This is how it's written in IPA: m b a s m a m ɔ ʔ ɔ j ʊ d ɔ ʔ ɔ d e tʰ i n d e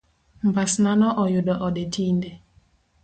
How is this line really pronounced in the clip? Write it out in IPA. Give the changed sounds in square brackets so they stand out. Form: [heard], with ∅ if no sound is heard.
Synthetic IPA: m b a s [n] a [n] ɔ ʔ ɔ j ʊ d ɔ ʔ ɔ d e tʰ i n d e